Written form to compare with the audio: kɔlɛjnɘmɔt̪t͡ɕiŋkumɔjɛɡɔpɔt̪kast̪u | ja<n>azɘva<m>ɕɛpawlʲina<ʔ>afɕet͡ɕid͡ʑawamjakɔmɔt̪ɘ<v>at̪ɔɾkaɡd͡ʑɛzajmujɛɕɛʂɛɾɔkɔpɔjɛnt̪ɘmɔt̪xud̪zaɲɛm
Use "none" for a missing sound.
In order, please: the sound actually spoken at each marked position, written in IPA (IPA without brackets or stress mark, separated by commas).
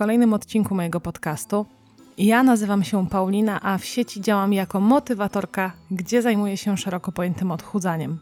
n, m, ʔ, v